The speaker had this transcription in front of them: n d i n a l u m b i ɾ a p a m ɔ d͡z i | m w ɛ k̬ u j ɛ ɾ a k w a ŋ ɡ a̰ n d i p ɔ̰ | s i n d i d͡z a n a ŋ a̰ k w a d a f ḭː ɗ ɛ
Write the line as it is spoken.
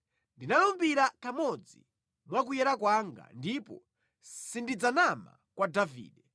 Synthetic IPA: n d i n a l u m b i ɾ a k a m ɔ d͡z i | m w a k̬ u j ɛ ɾ a k w a ŋ ɡ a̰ n d i p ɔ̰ | s i n d i d͡z a n a m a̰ k w a d a v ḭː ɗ ɛ